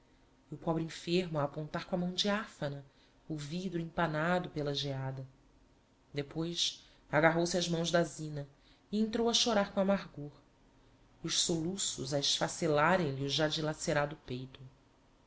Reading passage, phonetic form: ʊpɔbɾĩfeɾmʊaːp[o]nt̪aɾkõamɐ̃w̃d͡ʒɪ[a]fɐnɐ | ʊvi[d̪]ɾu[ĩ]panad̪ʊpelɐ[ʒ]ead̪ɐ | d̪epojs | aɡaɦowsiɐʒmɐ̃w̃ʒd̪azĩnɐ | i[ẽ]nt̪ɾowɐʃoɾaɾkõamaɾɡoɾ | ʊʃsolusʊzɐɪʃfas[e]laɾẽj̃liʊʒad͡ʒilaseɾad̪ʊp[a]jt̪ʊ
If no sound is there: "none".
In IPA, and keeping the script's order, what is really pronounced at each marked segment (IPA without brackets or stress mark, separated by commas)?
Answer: õ, a, d̪, ĩ, ʒ, ẽ, e, e